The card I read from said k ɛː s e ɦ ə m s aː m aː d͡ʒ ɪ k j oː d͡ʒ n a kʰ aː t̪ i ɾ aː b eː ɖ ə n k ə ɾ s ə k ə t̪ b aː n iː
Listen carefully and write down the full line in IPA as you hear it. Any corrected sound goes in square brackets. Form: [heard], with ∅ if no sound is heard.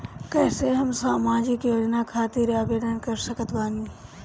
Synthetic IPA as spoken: k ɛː s e ɦ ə m s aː m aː d͡ʒ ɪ k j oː d͡ʒ n a kʰ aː t̪ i ɾ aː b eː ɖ ə n k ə ɾ s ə k ə t̪ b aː n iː